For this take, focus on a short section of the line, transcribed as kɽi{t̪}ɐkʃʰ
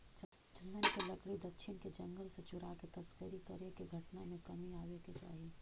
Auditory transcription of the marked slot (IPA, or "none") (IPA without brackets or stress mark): d̪